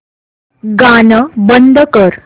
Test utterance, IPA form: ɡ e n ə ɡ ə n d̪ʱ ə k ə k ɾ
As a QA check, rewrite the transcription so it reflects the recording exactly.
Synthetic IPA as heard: ɡ a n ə b ə n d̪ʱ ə k ə ɾ

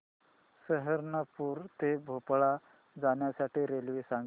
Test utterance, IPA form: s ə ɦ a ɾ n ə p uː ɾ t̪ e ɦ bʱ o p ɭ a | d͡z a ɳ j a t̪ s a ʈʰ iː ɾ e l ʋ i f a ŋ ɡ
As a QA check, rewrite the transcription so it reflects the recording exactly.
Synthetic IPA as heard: s ə ɦ ə ɾ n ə p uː ɾ t̪ e bʱ o p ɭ a | d͡z a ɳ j a s a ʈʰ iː ɾ e l ʋ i s a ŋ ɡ

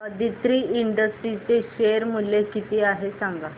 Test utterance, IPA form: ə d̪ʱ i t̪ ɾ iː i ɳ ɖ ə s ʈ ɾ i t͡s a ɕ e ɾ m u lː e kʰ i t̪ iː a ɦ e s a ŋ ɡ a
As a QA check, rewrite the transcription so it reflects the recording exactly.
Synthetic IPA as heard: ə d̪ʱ i t̪ ɾ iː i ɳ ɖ ə s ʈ ɾ i t͡s e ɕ e ɾ m u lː e k i t̪ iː a ɦ e s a ŋ ɡ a

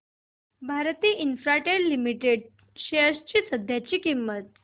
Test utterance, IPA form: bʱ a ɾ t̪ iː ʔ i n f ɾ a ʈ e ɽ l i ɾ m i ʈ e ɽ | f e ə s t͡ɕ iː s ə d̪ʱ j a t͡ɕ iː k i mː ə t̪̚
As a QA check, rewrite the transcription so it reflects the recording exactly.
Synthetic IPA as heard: bʱ a ɾ t̪ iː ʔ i n f ɾ a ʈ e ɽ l i m i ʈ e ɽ | ɕ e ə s t͡ɕ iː s ə d̪ʱ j a t͡ɕ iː k i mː ə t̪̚

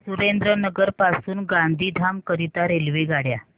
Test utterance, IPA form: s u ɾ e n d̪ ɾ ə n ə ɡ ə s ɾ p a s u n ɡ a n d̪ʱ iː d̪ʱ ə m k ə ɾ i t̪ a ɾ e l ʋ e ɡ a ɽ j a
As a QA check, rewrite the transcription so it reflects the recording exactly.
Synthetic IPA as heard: s u ɾ e n d̪ ɾ ə n ə ɡ ə ɾ p a s uː n ɡ a n d̪ʱ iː d̪ʱ a m k ə ɾ i t̪ a ɾ e l ʋ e ɡ a ɽ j a

